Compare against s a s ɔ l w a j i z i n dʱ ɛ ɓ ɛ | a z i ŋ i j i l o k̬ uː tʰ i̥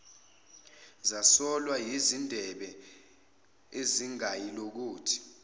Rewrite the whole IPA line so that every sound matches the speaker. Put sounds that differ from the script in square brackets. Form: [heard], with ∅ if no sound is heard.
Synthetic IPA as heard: [z] a s ɔ l w a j i z i n dʱ ɛ ɓ ɛ | [e] z i ŋ [a] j i l o k̬ uː tʰ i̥

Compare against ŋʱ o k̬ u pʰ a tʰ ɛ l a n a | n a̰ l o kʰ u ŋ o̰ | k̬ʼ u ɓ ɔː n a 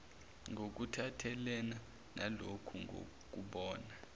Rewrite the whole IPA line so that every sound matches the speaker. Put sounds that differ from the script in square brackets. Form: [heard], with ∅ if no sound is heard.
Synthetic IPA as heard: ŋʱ o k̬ u [tʰ] a tʰ ɛ l [ɛ] n a | n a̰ l o kʰ u ŋ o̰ | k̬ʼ u ɓ ɔː n a

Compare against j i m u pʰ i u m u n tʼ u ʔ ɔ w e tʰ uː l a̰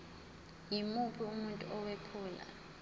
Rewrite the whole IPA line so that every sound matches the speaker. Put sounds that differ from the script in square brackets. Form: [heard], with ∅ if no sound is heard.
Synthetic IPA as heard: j i m u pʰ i u m u n tʼ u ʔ ɔ w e [pʰ] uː l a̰

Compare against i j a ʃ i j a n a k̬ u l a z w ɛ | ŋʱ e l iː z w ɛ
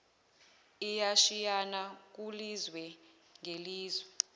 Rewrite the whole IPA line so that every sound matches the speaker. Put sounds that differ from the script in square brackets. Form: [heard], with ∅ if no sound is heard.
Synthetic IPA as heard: i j a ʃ i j a n a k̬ u l [i] z w ɛ | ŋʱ e l iː z w ɛ

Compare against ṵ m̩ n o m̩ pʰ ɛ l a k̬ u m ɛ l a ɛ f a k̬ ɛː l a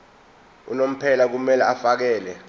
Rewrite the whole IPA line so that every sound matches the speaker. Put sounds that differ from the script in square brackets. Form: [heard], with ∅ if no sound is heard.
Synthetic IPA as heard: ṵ [∅] n o m̩ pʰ ɛ l a k̬ u m ɛ l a [a] f a k̬ ɛː l [ɛ]

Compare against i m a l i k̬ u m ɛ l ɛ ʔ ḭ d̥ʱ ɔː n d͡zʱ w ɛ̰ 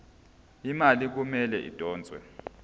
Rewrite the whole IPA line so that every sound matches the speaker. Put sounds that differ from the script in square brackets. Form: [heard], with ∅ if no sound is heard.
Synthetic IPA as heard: i m a l i k̬ u m ɛ l ɛ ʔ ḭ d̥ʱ ɔː n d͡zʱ w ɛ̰

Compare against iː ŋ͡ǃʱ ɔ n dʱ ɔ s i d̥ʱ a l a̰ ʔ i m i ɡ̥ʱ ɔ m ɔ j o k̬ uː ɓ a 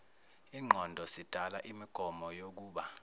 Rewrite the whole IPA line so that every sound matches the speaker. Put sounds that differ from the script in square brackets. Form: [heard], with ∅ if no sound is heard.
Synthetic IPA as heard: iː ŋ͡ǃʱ ɔ n dʱ ɔ s i d̥ʱ a l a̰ ʔ i m i ɡ̥ʱ ɔ m ɔ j o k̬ uː ɓ a

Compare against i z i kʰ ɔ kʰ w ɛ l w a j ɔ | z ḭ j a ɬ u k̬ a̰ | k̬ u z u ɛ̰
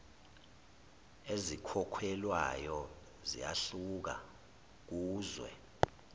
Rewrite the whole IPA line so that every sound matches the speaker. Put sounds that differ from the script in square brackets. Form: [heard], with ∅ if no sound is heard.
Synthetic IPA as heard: [e] z i kʰ ɔ kʰ w ɛ l w a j ɔ | z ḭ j a ɬ u k̬ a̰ | k̬ [uː] z [w] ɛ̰

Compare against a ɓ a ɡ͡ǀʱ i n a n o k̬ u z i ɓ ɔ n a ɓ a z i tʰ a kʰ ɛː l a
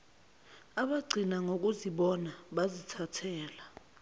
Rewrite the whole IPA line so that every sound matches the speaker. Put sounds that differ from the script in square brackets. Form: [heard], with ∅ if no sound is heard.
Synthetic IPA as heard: a ɓ a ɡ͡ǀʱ i n a [ŋ] o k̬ u z i ɓ ɔ n a ɓ a z i tʰ a [tʰ] ɛː l a

